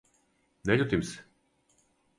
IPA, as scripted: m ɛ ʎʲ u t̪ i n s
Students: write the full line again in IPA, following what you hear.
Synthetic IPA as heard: n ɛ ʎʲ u t̪ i m s